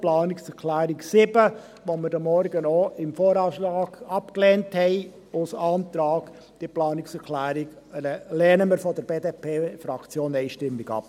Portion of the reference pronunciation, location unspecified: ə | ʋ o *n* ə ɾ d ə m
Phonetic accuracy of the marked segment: incorrect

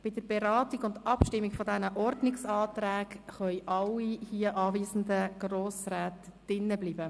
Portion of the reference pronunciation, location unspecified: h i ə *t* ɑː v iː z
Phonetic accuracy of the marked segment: incorrect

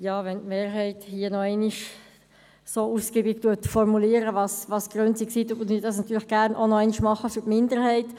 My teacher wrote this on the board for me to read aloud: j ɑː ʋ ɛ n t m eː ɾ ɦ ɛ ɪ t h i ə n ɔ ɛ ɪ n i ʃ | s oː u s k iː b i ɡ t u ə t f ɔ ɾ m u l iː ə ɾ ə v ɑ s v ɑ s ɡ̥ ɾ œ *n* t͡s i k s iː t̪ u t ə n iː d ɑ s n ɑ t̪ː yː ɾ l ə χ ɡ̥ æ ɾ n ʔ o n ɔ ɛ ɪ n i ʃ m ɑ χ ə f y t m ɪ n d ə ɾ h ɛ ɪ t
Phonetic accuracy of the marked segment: correct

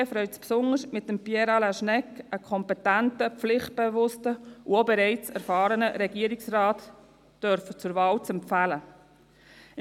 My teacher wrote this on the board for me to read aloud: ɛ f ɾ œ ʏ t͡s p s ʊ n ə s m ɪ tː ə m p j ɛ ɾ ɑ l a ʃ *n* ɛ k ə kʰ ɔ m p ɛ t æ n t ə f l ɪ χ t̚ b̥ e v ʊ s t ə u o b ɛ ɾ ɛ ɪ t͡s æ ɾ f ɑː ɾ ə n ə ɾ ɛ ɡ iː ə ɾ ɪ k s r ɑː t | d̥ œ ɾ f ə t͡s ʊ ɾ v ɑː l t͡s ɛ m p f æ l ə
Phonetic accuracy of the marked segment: correct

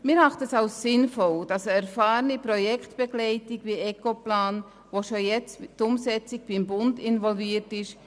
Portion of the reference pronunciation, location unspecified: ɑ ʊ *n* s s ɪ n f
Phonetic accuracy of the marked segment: incorrect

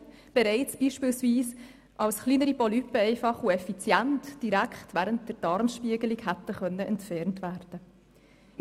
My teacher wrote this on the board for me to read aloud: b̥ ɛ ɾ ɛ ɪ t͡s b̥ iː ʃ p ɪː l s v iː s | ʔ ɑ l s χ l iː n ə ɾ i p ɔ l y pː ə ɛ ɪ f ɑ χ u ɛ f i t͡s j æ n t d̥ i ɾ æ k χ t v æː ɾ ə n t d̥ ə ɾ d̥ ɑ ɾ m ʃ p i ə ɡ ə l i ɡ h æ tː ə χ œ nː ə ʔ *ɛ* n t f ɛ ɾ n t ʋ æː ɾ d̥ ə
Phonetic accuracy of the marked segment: correct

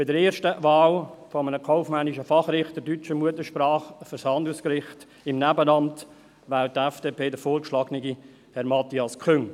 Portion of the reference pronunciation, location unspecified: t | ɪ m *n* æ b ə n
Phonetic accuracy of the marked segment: correct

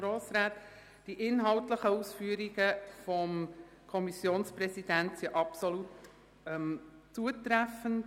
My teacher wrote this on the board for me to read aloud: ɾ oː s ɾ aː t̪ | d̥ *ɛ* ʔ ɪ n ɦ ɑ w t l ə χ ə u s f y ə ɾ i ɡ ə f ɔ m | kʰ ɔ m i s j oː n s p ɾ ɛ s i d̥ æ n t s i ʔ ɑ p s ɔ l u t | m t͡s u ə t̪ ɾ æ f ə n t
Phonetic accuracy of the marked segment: incorrect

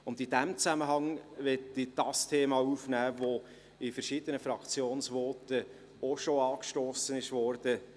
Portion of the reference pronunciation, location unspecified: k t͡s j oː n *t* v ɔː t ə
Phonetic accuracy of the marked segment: incorrect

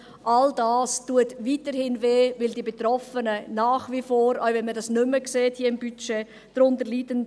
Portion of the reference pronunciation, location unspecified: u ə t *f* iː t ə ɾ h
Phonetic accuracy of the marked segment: incorrect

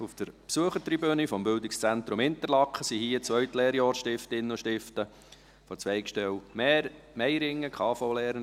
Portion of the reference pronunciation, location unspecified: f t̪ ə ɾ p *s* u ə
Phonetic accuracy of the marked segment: correct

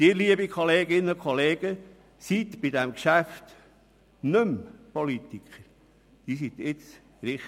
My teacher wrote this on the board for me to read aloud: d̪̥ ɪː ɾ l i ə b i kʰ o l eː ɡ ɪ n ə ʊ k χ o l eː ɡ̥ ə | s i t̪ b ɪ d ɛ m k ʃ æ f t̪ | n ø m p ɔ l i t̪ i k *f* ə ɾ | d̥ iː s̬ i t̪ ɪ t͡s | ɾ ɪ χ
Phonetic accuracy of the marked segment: incorrect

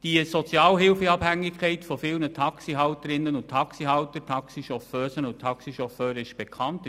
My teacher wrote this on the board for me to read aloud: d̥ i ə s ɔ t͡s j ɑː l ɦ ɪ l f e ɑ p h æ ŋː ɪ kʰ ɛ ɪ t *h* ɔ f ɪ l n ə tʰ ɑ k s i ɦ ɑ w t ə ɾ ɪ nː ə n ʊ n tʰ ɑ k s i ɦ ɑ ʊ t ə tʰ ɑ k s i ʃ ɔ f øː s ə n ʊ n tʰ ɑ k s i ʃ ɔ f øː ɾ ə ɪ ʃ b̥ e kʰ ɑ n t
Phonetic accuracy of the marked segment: incorrect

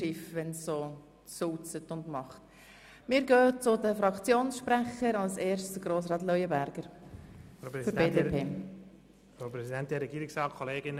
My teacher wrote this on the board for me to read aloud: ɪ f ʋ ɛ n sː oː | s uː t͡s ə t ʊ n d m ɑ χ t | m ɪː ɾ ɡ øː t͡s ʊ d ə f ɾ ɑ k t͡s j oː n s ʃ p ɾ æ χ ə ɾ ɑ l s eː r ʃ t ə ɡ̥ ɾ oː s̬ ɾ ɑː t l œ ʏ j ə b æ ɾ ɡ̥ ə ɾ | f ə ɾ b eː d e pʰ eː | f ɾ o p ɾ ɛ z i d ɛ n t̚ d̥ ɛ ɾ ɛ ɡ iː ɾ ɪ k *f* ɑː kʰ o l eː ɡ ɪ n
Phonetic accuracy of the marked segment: incorrect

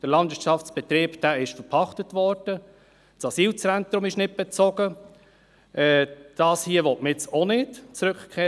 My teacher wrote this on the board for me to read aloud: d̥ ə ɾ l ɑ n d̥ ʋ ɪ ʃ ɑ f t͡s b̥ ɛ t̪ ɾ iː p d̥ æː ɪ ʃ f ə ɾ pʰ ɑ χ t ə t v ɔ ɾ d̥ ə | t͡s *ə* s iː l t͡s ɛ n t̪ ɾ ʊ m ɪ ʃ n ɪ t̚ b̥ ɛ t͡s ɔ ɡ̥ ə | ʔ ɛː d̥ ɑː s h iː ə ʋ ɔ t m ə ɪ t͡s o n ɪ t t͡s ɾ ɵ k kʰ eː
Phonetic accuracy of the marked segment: incorrect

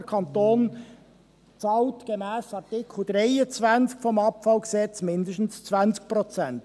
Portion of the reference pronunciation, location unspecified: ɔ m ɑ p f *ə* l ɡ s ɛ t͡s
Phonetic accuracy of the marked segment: incorrect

